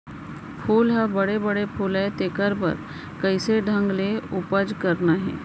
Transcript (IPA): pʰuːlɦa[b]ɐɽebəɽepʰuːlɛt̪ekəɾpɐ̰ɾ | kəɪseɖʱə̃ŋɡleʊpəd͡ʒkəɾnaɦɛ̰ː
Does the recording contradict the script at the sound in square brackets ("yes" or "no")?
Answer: no